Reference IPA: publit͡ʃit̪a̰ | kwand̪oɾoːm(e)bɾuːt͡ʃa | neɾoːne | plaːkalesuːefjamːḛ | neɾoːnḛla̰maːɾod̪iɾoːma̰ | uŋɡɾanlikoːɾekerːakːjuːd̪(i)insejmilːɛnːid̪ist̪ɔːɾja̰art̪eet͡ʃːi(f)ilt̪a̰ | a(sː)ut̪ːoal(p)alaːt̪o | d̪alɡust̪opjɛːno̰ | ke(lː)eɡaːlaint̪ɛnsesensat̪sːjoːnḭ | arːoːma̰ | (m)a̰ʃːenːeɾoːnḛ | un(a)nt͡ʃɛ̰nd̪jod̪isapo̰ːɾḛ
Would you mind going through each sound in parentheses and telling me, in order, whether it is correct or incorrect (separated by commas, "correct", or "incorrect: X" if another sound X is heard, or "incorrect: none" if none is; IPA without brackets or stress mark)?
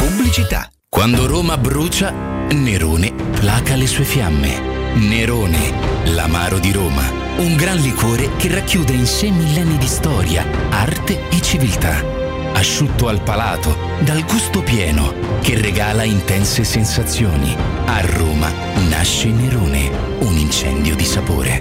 incorrect: a, incorrect: e, incorrect: v, incorrect: ʃː, correct, incorrect: rː, incorrect: n, incorrect: i